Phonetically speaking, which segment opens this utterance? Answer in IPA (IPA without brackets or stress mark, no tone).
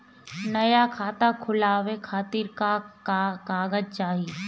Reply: n